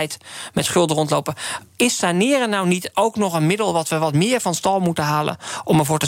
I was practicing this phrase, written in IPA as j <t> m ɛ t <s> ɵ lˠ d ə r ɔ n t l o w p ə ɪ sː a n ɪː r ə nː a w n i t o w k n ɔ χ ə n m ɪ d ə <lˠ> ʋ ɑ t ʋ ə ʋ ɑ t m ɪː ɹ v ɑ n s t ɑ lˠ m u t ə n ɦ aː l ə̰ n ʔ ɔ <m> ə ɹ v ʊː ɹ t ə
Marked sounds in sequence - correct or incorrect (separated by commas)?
correct, incorrect, correct, correct